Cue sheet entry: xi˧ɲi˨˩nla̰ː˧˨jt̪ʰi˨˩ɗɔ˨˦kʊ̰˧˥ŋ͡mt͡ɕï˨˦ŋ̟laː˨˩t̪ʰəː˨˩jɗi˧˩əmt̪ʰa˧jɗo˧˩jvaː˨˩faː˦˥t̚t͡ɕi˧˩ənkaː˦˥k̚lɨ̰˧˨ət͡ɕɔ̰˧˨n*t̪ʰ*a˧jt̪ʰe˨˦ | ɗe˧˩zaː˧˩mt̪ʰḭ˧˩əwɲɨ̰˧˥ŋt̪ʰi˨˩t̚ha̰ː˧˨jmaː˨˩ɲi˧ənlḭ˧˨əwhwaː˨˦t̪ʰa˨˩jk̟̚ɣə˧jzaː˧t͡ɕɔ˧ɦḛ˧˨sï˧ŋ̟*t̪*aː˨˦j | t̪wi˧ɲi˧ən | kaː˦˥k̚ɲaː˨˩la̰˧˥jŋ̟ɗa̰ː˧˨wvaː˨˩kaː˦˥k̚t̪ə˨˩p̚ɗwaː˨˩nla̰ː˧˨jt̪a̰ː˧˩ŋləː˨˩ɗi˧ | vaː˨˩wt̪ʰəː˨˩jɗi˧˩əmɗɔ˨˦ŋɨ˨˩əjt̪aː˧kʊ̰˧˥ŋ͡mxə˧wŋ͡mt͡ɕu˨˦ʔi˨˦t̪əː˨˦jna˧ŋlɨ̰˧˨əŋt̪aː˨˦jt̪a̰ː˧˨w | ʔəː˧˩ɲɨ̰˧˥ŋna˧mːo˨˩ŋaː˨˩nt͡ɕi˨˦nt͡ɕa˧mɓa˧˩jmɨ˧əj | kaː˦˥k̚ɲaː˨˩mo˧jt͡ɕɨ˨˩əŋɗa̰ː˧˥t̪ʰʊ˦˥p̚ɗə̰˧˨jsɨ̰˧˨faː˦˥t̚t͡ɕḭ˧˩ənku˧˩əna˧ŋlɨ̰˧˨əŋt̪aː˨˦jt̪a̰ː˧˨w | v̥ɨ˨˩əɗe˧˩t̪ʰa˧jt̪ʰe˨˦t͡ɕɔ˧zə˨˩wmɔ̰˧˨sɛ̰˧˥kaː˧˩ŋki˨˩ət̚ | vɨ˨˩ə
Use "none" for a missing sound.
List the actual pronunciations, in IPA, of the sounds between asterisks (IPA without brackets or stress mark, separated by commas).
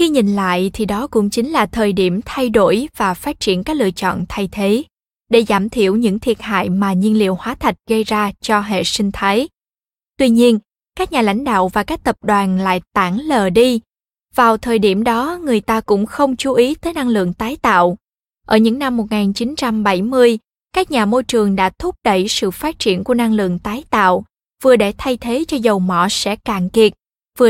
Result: t̪ʰ, t̪ʰ